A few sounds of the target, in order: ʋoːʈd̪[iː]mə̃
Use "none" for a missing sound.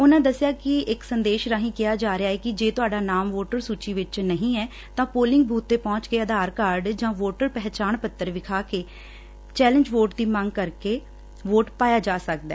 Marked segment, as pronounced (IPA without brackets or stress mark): iː